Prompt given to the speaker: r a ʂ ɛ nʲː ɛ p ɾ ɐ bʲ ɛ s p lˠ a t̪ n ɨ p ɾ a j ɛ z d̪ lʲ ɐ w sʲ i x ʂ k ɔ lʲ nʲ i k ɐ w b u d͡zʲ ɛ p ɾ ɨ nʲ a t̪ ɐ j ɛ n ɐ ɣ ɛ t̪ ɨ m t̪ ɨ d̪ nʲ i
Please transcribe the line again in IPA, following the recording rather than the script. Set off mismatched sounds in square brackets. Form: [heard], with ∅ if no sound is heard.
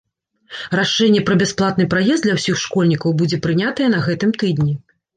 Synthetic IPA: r a ʂ ɛ nʲː ɛ p ɾ ɐ bʲ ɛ s p lˠ a t̪ n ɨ p ɾ a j ɛ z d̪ lʲ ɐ w sʲ i x ʂ k ɔ lʲ nʲ i k ɐ w b u d͡zʲ ɛ p ɾ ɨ nʲ a t̪ ɐ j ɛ n ɐ ɣ ɛ t̪ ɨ m t̪ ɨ d̪ nʲ i